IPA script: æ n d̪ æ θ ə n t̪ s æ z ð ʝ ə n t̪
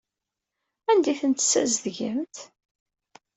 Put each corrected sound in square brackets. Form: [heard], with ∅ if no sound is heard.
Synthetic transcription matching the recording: æ n d̪ [i] θ ə n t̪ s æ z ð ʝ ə [m] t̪